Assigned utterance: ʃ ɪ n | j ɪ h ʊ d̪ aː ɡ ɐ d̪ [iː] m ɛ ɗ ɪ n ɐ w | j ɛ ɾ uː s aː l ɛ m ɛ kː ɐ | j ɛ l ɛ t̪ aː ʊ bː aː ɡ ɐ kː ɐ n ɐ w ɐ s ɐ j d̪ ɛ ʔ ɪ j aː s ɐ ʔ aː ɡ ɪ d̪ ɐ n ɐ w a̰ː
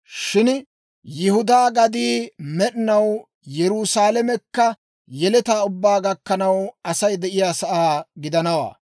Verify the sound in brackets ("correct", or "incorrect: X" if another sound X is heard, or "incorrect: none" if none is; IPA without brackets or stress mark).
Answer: correct